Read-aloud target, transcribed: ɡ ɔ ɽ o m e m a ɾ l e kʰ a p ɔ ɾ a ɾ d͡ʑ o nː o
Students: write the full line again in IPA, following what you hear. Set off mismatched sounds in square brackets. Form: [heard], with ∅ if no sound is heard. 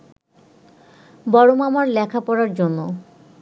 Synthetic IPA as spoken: [b] ɔ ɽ o m [a] m a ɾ l [ɛ] kʰ a p ɔ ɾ a ɾ d͡ʑ o nː o